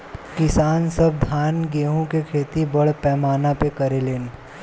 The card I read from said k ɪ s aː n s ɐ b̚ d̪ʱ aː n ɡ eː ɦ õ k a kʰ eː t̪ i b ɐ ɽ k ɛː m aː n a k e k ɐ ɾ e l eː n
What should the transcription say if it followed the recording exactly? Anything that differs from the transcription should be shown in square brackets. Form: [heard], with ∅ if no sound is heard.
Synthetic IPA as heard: k ɪ s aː n s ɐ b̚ d̪ʱ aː n ɡ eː ɦ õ k [e] kʰ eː t̪ i b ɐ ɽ [p] ɛː m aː n a [p] e k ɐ ɾ e l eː n